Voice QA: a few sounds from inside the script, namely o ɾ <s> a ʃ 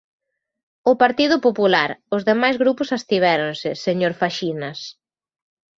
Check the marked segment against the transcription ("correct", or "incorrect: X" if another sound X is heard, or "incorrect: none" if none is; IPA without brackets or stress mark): incorrect: f